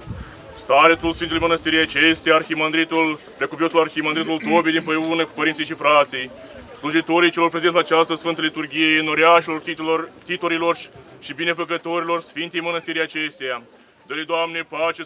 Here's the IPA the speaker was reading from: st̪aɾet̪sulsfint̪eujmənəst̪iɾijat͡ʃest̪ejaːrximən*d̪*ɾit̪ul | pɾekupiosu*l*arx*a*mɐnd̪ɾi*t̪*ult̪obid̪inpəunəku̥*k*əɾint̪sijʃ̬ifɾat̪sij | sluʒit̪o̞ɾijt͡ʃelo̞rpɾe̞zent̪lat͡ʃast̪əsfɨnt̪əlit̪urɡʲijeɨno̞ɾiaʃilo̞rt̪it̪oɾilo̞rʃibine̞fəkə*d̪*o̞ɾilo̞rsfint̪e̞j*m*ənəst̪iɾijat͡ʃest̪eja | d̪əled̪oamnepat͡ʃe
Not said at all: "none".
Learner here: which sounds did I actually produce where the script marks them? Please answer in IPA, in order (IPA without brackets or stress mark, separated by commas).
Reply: d̪, l, i, t̪, p, t̪, m